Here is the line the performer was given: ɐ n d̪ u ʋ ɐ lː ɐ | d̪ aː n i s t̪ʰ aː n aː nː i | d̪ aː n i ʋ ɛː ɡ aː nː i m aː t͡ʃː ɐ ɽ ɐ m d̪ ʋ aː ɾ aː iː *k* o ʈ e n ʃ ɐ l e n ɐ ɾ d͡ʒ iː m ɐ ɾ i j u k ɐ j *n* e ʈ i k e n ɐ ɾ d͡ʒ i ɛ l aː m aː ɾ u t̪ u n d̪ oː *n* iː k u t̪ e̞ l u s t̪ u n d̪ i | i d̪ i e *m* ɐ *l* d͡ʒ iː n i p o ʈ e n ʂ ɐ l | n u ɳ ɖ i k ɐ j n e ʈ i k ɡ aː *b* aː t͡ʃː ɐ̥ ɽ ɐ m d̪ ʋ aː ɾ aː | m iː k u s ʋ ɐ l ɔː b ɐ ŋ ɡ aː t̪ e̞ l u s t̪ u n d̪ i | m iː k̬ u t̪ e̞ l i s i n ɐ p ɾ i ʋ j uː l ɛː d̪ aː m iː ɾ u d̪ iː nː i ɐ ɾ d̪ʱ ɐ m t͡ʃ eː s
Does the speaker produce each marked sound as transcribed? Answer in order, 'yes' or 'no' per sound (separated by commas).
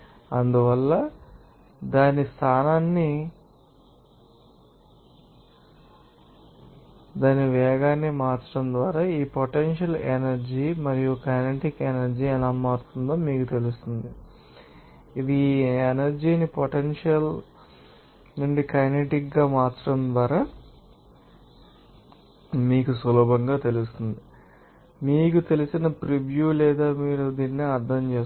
no, yes, no, no, no, no